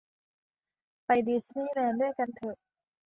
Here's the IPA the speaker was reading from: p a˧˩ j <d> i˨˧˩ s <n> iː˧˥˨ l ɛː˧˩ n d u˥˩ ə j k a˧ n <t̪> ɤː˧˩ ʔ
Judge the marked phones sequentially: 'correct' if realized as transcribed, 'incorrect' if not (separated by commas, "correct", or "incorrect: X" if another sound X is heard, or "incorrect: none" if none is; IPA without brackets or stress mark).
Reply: correct, correct, incorrect: t̪ʰ